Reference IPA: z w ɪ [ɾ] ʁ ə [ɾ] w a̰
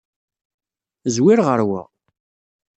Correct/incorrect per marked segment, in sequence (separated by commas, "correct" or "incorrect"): correct, correct